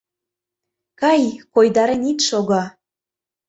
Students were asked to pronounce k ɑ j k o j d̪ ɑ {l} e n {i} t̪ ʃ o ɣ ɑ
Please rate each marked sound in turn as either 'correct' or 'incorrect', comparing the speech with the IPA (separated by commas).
incorrect, correct